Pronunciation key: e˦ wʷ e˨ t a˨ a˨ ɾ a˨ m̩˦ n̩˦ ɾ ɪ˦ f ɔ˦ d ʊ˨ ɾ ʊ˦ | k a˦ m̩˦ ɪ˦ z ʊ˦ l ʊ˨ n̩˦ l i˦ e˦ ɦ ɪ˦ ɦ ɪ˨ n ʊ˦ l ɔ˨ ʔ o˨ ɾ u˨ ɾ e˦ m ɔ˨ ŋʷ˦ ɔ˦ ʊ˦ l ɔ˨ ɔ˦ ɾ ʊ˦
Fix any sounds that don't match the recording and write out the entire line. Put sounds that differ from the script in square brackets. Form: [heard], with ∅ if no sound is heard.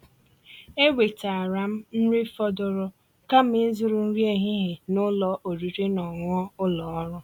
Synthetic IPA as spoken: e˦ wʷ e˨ t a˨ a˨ ɾ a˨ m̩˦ n̩˦ ɾ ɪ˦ f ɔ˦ d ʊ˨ ɾ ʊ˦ | k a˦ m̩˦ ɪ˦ z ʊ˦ [ɾ] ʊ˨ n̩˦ [ɾ] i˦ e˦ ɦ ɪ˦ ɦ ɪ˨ n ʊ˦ l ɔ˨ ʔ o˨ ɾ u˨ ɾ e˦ [n] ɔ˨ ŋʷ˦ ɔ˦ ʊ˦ l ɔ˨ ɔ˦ ɾ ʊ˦